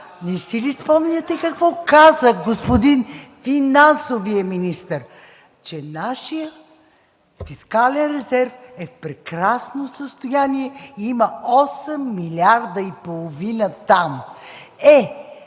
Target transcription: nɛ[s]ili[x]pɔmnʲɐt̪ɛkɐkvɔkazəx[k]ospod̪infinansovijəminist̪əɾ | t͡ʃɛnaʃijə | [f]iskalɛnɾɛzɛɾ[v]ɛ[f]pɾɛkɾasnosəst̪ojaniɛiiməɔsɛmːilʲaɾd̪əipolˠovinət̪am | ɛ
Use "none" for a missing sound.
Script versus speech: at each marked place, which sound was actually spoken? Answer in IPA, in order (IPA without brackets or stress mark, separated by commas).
s, s, ɡ, f, f, f